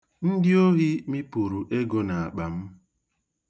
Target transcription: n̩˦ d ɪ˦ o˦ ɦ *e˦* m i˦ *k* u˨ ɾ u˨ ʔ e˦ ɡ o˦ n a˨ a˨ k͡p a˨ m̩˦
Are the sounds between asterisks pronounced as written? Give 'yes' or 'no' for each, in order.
no, no

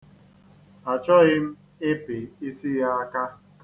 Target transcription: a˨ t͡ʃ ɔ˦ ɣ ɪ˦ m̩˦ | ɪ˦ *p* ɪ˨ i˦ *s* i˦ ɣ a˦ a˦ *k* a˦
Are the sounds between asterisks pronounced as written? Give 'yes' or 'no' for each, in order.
yes, yes, yes

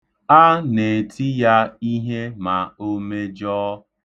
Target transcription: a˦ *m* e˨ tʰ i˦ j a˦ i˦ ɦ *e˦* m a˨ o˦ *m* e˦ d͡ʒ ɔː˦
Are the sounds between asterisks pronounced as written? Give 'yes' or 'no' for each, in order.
no, yes, yes

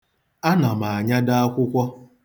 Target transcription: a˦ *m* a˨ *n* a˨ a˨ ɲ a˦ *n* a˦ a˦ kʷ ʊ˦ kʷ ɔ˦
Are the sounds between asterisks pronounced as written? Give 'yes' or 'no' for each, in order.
no, no, no

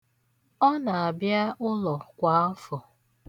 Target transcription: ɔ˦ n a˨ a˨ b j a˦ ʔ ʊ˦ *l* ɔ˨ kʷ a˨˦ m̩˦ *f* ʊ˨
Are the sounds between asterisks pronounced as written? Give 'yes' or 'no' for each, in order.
yes, yes

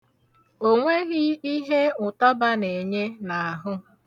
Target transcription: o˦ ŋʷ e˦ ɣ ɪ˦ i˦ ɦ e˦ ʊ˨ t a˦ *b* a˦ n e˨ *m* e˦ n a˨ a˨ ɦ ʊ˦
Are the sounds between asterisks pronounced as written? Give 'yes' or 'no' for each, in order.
yes, no

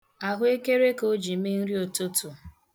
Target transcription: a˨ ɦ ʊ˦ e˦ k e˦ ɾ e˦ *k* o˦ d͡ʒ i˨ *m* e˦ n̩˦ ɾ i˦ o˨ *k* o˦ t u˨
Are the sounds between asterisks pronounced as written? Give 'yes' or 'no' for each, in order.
yes, yes, no

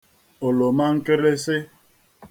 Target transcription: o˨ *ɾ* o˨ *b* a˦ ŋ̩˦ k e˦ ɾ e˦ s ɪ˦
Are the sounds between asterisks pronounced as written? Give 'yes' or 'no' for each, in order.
no, no

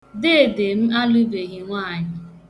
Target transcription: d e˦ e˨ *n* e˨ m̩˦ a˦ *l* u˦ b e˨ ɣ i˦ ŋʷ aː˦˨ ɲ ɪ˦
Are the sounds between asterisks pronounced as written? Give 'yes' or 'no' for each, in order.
no, yes

